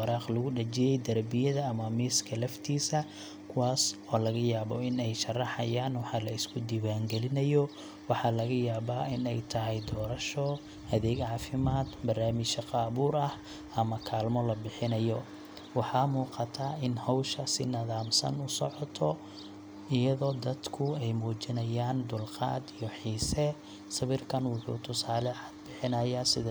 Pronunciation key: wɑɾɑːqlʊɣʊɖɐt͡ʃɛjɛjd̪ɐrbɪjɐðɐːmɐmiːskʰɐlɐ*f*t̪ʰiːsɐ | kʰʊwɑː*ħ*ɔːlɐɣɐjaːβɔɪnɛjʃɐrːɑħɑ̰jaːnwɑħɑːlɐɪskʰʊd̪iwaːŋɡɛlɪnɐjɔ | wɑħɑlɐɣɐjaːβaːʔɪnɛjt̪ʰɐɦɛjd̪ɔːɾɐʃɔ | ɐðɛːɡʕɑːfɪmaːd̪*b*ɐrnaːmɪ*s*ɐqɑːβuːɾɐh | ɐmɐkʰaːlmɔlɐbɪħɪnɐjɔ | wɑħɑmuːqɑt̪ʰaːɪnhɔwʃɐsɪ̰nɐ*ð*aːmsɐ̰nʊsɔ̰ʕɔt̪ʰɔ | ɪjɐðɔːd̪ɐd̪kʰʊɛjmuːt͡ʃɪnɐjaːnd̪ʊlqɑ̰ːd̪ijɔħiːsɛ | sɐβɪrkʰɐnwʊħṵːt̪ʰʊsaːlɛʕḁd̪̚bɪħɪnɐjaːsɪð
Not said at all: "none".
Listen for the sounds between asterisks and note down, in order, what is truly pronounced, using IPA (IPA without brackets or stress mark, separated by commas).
f, s, b, ʃ, ð